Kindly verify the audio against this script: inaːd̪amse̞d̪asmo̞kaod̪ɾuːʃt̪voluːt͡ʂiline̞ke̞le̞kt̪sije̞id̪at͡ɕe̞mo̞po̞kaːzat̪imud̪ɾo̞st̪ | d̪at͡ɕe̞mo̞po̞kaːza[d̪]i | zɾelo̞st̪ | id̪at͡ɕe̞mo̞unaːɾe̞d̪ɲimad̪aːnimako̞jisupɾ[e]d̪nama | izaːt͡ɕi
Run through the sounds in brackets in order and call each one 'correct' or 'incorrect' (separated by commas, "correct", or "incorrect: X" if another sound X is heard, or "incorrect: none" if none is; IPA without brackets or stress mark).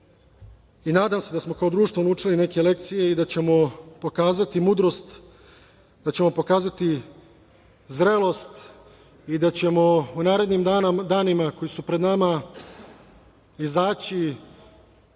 incorrect: t̪, correct